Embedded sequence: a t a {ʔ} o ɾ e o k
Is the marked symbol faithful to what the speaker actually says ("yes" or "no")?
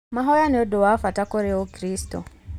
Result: no